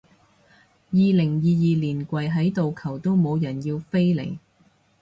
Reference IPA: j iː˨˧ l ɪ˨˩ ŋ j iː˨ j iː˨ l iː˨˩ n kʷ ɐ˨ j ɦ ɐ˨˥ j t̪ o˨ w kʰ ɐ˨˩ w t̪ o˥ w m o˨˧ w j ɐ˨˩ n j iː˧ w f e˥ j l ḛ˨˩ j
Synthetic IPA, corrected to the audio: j iː˨˧ l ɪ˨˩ ŋ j iː˨ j iː˨ l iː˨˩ n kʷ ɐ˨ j ɦ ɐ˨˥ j t̪ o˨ w kʰ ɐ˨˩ w t̪ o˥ w m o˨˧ w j ɐ˨˩ n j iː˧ w f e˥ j l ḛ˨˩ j